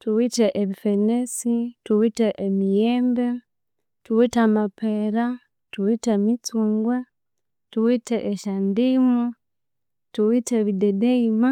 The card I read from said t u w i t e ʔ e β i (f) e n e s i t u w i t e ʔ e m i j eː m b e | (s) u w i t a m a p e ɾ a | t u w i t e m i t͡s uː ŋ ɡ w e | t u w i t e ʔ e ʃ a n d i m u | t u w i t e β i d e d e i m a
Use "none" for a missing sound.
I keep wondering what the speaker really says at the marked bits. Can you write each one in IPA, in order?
f, t

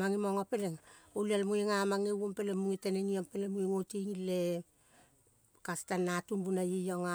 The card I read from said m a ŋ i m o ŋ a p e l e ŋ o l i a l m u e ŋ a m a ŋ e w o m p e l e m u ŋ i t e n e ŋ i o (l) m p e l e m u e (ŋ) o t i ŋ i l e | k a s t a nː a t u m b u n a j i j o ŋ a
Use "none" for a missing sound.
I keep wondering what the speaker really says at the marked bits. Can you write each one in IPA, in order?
none, ŋ

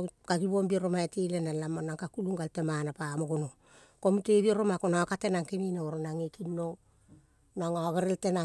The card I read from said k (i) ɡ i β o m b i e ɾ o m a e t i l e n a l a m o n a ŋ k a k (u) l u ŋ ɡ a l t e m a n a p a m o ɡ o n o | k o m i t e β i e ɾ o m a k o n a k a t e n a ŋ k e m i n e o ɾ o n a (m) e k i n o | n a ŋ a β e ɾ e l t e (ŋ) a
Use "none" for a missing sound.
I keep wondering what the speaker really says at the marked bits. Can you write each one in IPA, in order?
a, u, ŋ, n

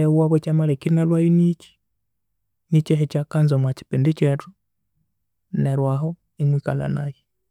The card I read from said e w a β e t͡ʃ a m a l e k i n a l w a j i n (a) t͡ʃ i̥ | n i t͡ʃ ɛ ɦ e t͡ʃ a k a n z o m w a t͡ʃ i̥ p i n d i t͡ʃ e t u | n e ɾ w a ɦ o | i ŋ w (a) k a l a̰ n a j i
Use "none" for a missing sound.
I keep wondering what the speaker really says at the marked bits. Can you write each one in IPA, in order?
i, i

